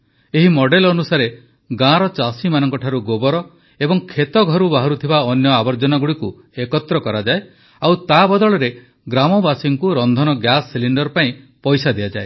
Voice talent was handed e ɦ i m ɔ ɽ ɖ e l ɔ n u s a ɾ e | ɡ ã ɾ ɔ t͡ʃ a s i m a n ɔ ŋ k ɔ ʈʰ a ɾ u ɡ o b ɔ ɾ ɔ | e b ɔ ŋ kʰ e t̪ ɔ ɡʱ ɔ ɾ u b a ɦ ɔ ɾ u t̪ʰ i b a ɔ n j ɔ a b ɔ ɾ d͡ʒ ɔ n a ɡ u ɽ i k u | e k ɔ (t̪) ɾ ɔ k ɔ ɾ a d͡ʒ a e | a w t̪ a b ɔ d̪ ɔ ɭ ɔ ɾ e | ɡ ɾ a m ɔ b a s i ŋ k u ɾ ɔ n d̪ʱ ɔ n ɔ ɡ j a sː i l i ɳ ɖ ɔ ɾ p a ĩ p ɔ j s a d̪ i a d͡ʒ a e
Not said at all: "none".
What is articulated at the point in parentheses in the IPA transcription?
t̪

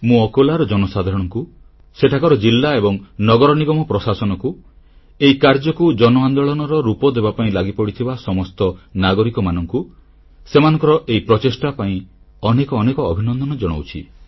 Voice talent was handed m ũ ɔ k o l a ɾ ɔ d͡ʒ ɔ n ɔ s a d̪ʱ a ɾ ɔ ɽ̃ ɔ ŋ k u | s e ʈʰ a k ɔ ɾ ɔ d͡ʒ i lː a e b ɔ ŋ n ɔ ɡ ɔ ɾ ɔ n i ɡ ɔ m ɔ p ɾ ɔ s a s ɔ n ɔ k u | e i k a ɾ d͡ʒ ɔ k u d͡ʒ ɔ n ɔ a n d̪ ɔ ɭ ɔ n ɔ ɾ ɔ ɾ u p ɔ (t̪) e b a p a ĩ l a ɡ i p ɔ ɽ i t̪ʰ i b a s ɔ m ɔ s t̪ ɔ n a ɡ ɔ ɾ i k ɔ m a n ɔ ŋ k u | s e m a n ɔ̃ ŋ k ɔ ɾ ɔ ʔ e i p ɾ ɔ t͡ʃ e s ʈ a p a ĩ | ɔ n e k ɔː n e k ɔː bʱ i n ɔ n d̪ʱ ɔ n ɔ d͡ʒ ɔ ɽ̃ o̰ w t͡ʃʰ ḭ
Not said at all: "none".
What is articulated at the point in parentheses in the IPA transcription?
d̪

